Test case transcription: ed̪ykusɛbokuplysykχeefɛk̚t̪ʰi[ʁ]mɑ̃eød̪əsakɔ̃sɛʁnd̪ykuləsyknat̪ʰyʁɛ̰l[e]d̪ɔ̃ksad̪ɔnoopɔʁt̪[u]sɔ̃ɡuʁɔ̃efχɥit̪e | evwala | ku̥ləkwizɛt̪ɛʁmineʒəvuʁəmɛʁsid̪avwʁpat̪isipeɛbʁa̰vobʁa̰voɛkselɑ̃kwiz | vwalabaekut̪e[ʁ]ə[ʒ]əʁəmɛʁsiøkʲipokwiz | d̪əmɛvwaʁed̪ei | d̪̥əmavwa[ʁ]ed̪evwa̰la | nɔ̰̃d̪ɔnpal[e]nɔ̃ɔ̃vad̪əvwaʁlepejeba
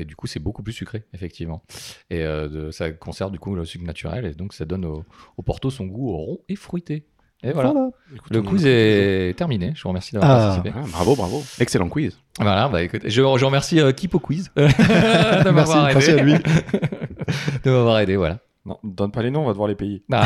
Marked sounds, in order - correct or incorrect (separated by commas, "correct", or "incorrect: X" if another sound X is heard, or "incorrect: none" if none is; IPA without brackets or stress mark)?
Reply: incorrect: v, correct, incorrect: o, incorrect: ʒ, correct, correct, correct